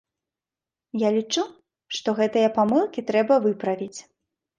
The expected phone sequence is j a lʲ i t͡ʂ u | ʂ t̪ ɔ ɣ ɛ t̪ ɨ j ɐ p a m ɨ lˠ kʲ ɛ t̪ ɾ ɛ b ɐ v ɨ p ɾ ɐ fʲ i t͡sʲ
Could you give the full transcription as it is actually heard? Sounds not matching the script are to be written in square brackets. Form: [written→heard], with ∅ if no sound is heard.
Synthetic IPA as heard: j a lʲ i t͡ʂ u | ʂ t̪ ɔ ɣ ɛ t̪ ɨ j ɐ p a m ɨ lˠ kʲ [ɛ→i] t̪ ɾ ɛ b ɐ v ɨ p ɾ ɐ [fʲ→vʲ] i t͡sʲ